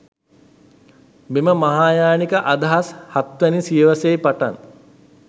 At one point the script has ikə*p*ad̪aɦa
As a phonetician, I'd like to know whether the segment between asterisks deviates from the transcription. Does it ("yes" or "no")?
yes